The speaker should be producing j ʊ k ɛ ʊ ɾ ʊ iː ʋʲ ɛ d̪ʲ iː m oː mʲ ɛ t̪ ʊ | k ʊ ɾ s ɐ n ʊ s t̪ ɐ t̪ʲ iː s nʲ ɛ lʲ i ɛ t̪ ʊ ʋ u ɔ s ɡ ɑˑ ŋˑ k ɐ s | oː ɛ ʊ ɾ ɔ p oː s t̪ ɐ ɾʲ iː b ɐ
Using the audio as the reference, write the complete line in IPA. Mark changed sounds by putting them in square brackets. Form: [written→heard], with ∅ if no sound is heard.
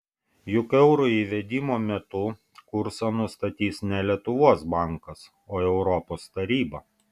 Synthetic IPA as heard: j ʊ k ɛ ʊ ɾ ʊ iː ʋʲ ɛ d̪ʲ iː m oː mʲ ɛ t̪ ʊ | k ʊ ɾ s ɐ n ʊ s t̪ ɐ t̪ʲ iː s nʲ ɛ lʲ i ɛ t̪ ʊ ʋ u ɔ s [ɡ→b] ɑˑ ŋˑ k ɐ s | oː ɛ ʊ ɾ ɔ p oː s t̪ ɐ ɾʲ iː b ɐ